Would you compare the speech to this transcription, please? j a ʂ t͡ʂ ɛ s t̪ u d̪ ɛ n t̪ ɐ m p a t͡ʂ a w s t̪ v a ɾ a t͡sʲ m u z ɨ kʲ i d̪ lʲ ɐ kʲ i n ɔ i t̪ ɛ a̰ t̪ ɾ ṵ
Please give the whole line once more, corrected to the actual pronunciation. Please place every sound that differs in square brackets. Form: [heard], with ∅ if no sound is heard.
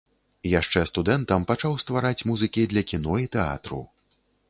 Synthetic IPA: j a ʂ t͡ʂ ɛ s t̪ u d̪ ɛ n t̪ ɐ m p a t͡ʂ a w s t̪ v a ɾ a t͡sʲ m u z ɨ kʲ i d̪ lʲ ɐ kʲ i n ɔ i t̪ ɛ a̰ t̪ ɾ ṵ